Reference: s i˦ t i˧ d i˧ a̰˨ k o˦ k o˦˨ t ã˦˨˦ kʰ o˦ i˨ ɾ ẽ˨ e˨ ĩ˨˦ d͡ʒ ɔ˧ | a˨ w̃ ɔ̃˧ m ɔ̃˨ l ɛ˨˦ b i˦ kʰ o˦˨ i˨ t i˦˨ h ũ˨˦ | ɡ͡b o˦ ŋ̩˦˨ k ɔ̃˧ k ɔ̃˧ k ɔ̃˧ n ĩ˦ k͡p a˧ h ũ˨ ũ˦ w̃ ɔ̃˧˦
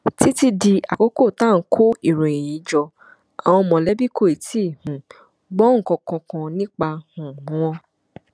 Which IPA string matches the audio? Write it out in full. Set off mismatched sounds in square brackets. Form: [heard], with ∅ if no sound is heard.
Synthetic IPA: [t] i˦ t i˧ d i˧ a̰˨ k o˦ k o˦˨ t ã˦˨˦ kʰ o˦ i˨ ɾ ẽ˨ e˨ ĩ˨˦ d͡ʒ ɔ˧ | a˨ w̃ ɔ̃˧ m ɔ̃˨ l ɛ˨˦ b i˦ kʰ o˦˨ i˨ t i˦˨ h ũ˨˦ | ɡ͡b [ɔ˦] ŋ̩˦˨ k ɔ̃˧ k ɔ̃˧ k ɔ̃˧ n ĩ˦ k͡p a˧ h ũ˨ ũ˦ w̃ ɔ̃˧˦